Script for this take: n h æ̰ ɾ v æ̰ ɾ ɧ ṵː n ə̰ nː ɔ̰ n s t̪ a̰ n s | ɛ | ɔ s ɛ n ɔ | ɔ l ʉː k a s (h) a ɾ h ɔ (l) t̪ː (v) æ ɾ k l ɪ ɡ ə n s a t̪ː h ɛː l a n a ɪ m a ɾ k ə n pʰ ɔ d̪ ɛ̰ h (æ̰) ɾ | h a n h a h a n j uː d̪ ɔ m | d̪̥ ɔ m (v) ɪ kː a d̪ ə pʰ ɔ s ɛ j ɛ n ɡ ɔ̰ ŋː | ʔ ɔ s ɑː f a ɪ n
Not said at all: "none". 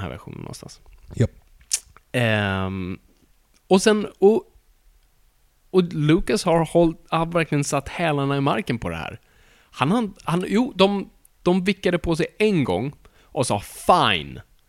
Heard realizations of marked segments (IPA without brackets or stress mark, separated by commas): h, l, v, æ̰ː, v